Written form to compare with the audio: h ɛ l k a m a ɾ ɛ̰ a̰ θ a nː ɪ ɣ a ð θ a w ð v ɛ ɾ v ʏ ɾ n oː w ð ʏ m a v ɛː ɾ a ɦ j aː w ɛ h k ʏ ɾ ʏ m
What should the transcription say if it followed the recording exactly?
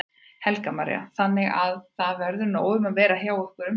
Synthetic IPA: h ɛ l k a m a ɾ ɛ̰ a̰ θ a nː ɪ ɣ a ð θ a ð v ɛ ɾ ð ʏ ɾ n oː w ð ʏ m a v ɛː ɾ a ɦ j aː w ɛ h k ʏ ɾ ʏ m